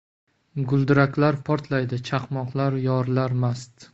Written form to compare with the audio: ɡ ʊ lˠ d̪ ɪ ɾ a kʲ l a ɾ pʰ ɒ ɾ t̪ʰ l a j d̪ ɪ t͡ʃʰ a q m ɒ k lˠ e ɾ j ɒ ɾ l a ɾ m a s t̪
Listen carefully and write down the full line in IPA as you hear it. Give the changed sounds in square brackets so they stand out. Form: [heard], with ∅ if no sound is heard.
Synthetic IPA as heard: ɡ ʊ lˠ d̪ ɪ ɾ a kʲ l a ɾ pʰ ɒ ɾ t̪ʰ l a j d̪ ɪ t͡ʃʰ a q m ɒ [q] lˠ [a] ɾ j ɒ ɾ l a ɾ m a s t̪